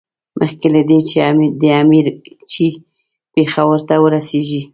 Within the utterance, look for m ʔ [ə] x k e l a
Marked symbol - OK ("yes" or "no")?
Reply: yes